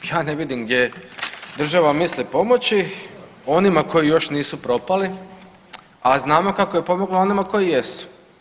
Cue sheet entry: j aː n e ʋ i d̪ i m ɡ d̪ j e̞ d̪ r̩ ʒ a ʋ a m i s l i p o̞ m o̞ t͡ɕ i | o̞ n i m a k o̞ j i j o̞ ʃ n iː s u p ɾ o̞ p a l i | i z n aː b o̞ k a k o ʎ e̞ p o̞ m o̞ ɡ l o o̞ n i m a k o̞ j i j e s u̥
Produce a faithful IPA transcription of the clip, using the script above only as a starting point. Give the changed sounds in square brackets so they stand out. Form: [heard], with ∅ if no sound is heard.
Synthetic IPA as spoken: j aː n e ʋ i d̪ i m ɡ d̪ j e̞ d̪ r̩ ʒ a ʋ a m i s l i p o̞ m o̞ t͡ɕ i | o̞ n i m a k o̞ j i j o̞ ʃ n iː s u p ɾ o̞ p a l i | [a] z n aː [m] o̞ k a k o [j] e̞ p o̞ m o̞ ɡ l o o̞ n i m a k o̞ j i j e s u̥